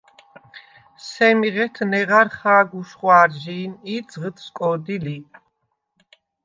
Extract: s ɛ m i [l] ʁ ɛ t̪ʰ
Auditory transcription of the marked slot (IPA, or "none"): none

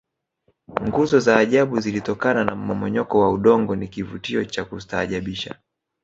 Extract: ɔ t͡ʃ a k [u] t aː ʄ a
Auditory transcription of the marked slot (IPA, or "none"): u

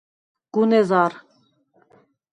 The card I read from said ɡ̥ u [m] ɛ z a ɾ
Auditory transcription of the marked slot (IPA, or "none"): n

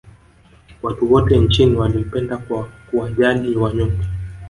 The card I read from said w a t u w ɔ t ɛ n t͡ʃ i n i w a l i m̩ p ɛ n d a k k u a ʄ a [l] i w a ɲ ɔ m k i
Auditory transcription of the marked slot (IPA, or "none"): l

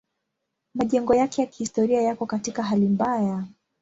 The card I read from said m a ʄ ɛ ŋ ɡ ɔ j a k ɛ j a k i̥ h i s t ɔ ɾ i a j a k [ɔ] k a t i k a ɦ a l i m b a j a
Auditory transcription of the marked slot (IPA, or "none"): ɔ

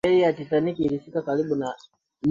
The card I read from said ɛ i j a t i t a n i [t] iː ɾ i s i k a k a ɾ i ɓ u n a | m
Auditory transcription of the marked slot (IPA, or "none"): k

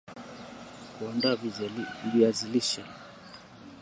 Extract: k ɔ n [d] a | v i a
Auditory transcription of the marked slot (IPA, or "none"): d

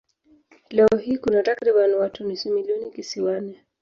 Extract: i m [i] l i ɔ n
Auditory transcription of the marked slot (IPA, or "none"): i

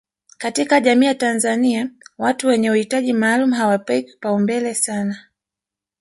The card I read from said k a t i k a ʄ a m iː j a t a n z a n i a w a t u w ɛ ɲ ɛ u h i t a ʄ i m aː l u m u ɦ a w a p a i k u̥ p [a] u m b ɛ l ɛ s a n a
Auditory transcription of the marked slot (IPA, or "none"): a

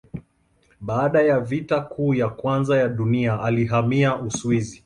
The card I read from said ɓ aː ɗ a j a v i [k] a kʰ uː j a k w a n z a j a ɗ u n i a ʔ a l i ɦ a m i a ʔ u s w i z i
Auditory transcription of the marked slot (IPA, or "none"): t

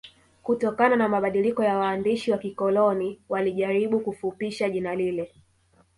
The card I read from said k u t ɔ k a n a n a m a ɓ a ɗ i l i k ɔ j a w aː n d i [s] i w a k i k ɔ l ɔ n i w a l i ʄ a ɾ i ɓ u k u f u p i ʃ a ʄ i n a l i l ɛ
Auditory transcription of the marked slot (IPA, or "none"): ʃ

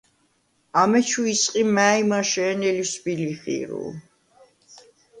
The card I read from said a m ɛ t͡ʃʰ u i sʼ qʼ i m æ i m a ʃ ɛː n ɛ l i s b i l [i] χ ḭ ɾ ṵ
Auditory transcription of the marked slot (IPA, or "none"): i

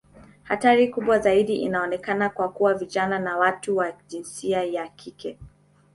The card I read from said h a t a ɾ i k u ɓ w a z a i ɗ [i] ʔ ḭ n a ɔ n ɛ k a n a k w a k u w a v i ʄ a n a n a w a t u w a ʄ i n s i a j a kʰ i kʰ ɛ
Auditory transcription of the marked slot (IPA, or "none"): i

